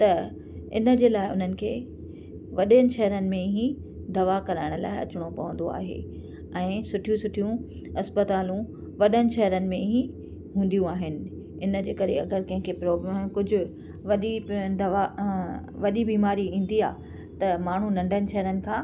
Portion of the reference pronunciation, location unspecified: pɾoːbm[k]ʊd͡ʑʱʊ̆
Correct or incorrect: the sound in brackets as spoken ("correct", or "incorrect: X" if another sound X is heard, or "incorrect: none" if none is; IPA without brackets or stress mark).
correct